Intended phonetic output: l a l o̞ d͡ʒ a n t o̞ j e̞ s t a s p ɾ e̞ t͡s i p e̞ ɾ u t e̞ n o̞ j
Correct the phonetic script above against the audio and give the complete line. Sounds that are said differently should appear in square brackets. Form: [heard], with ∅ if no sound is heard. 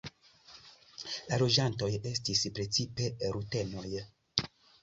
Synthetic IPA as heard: l a l o̞ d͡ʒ a n t o̞ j e̞ s t [i] s p ɾ e̞ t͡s i p e̞ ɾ u t e̞ n o̞ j